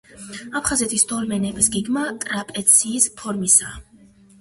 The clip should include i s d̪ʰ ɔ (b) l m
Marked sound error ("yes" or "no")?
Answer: yes